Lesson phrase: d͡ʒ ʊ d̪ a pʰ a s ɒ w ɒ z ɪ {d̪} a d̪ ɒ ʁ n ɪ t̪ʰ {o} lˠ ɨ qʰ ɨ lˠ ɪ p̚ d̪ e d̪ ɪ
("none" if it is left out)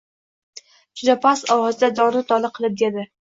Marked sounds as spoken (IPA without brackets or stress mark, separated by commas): d̪, ɒ